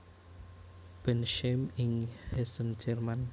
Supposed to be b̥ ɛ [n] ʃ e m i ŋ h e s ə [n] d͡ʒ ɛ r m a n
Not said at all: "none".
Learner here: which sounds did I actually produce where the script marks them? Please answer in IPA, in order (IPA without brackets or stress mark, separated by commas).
n, n